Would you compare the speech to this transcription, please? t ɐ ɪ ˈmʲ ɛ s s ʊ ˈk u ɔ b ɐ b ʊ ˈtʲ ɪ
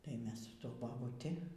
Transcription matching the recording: t ɐ ɪ ˈmʲ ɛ s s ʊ ˈt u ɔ b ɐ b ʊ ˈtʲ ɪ